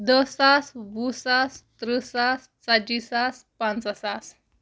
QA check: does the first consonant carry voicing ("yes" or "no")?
yes